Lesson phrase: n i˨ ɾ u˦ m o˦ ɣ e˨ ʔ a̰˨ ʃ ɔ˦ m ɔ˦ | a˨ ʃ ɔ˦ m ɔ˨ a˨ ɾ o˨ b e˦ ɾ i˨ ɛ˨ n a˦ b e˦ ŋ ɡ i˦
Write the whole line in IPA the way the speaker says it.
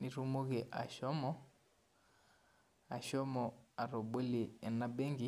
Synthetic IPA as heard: n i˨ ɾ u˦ m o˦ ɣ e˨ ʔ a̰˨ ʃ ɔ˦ m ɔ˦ | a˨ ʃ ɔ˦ m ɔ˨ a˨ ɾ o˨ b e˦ l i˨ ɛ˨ n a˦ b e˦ ŋ ɡ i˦